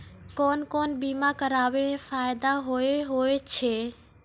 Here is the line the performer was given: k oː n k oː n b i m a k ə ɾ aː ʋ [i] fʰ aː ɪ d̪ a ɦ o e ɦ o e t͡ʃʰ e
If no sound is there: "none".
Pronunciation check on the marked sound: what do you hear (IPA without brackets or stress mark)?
e